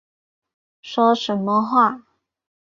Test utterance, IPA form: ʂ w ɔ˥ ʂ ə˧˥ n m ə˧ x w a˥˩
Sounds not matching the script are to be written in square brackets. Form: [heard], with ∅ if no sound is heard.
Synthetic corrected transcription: ʂ w ɔ˥ ʂ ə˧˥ n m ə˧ x w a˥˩

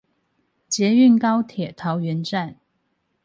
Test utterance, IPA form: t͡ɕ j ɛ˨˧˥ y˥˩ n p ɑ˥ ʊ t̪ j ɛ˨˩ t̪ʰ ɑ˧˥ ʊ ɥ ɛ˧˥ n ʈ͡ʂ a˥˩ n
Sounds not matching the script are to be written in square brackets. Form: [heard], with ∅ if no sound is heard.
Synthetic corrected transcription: t͡ɕ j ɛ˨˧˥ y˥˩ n [k] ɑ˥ ʊ [t̪ʰ] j ɛ˨˩ t̪ʰ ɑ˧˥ ʊ ɥ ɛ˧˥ n ʈ͡ʂ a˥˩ n

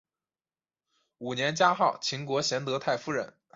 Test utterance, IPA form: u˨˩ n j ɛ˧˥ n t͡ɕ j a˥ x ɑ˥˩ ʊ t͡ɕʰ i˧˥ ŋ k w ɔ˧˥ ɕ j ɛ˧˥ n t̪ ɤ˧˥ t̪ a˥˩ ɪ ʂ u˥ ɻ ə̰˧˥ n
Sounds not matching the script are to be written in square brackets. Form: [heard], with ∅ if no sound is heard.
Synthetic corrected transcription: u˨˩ n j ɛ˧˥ n t͡ɕ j a˥ x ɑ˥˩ ʊ t͡ɕʰ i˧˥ ŋ k w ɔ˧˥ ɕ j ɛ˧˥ n t̪ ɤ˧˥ [t̪ʰ] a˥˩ ɪ [f] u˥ ɻ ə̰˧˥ n

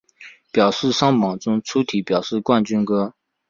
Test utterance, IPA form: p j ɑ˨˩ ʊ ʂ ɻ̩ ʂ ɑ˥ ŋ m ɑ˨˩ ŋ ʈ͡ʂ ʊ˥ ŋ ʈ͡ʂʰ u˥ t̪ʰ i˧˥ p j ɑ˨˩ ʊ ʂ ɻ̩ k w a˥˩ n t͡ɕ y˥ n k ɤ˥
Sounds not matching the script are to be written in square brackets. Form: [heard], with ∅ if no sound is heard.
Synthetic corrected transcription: p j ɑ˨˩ ʊ ʂ ɻ̩ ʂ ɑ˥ ŋ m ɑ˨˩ ŋ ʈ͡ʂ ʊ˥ ŋ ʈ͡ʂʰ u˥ t̪ʰ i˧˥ p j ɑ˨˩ ʊ ʂ ɻ̩ k w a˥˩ n t͡ɕ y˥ n k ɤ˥

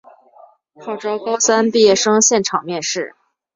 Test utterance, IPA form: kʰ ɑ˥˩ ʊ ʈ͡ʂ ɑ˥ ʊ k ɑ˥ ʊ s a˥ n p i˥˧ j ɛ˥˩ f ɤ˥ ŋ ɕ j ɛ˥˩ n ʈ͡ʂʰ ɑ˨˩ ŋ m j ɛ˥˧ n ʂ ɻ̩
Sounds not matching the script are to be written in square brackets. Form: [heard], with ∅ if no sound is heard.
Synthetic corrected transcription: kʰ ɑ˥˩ ʊ ʈ͡ʂ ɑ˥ ʊ k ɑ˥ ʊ s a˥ n p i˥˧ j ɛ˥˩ [ʂ] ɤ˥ ŋ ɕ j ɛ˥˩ n ʈ͡ʂʰ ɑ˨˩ ŋ m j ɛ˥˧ n ʂ ɻ̩

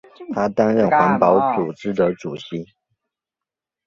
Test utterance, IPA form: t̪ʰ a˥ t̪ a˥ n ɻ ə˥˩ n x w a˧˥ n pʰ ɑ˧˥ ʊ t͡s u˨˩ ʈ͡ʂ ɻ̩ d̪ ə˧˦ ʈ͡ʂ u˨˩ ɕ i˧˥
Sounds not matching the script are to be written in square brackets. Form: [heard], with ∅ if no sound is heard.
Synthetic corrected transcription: t̪ʰ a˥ t̪ a˥ n ɻ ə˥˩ n x w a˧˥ n [p] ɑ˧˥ ʊ t͡s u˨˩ ʈ͡ʂ ɻ̩ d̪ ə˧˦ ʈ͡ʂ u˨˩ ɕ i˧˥

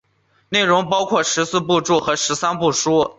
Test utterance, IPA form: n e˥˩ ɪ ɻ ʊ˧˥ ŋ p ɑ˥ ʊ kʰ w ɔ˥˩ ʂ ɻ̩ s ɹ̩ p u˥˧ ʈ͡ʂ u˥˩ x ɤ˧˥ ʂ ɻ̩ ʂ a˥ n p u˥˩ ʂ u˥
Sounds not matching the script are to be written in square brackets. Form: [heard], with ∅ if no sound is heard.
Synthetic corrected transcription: n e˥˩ ɪ ɻ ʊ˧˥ ŋ p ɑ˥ ʊ kʰ w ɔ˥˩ ʂ ɻ̩ s ɹ̩ p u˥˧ ʈ͡ʂ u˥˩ x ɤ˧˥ ʂ ɻ̩ [s] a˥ n p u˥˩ ʂ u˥

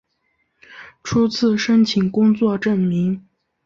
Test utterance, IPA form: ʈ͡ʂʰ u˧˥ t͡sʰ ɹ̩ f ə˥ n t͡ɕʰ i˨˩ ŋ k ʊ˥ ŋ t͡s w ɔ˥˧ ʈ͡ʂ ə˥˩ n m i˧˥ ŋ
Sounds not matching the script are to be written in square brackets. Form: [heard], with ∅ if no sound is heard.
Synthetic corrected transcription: ʈ͡ʂʰ [u˥] t͡sʰ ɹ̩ [ʂ] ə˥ n t͡ɕʰ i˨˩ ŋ k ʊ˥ ŋ t͡s w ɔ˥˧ ʈ͡ʂ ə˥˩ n m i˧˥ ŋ

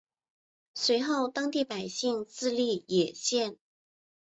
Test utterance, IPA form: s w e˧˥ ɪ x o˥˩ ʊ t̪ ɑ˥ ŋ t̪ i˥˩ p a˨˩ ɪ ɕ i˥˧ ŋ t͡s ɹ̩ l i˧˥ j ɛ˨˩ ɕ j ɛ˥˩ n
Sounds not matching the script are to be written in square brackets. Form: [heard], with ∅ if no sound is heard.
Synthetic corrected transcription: s w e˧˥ ɪ x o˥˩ ʊ t̪ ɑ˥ ŋ t̪ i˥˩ p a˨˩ ɪ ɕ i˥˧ ŋ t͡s ɹ̩ l [i˥˩] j ɛ˨˩ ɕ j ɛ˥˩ n

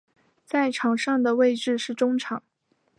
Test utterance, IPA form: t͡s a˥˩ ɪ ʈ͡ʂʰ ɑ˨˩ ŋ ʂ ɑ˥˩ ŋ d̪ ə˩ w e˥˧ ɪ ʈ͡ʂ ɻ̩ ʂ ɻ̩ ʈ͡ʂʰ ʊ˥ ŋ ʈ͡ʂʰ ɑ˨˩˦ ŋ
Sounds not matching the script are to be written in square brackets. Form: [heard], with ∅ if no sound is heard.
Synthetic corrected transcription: t͡s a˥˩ ɪ ʈ͡ʂʰ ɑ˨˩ ŋ ʂ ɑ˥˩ ŋ d̪ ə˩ w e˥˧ ɪ ʈ͡ʂ ɻ̩ ʂ ɻ̩ [ʈ͡ʂ] ʊ˥ ŋ ʈ͡ʂʰ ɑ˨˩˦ ŋ

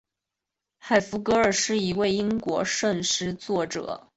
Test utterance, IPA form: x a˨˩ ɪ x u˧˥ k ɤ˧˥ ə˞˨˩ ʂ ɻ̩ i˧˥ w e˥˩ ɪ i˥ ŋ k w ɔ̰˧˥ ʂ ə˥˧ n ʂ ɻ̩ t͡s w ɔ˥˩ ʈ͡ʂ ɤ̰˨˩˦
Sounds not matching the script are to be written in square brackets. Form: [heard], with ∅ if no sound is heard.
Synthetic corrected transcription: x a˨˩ ɪ [f] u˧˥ k ɤ˧˥ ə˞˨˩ ʂ ɻ̩ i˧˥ w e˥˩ ɪ i˥ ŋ k w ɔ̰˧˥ ʂ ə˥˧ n ʂ ɻ̩ t͡s w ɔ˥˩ ʈ͡ʂ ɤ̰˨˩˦

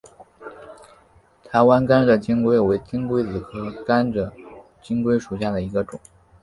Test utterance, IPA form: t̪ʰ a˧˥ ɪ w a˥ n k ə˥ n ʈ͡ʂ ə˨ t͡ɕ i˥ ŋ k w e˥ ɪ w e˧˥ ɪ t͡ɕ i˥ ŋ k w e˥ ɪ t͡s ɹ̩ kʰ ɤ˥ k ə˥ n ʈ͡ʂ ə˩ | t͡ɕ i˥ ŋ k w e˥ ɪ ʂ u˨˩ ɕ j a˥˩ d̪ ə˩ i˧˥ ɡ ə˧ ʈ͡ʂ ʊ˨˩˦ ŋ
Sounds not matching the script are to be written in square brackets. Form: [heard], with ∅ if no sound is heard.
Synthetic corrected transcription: t̪ʰ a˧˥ ɪ w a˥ n k [a˥] n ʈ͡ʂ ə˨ t͡ɕ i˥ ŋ k w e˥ ɪ w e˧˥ ɪ t͡ɕ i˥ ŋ k w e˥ ɪ t͡s ɹ̩ kʰ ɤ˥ k [a˥] n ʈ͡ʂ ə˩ | t͡ɕ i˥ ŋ k w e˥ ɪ ʂ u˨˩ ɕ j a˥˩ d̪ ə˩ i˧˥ ɡ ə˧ ʈ͡ʂ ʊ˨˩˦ ŋ

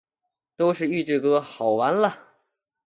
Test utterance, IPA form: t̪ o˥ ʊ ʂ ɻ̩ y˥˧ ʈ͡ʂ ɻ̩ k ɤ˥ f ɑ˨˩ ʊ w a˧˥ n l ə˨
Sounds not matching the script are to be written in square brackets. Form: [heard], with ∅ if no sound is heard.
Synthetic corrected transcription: t̪ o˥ ʊ ʂ ɻ̩ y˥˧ ʈ͡ʂ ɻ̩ k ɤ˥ [x] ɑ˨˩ ʊ w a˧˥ n l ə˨

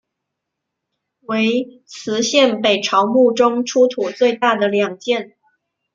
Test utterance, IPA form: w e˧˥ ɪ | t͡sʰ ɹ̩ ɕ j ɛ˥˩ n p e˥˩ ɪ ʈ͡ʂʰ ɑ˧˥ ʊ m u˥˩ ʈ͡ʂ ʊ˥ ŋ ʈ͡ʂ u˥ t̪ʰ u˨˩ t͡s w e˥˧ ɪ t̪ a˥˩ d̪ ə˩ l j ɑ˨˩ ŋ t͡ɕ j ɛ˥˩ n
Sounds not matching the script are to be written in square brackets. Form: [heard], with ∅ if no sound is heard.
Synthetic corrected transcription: w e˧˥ ɪ | t͡sʰ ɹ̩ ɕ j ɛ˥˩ n p [e˨˩] ɪ ʈ͡ʂʰ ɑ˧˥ ʊ m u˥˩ ʈ͡ʂ ʊ˥ ŋ [ʈ͡ʂʰ] u˥ t̪ʰ u˨˩ t͡s w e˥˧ ɪ t̪ a˥˩ d̪ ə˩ l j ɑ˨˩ ŋ t͡ɕ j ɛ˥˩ n

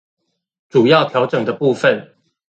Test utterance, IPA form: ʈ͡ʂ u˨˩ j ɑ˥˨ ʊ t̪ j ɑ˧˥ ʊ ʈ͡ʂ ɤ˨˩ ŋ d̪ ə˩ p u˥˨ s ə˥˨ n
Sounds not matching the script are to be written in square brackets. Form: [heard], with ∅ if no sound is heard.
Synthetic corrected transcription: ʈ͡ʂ u˨˩ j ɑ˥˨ ʊ [t̪ʰ] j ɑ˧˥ ʊ ʈ͡ʂ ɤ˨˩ ŋ d̪ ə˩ p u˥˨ [f] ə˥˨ n

